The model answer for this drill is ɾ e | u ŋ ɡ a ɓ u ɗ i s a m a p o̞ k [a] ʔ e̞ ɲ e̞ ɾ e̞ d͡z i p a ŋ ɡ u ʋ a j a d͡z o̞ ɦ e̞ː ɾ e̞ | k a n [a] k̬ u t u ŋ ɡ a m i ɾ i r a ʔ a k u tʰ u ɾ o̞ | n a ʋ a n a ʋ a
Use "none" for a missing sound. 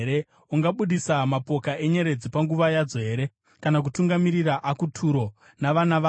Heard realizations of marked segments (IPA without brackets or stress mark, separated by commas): a, a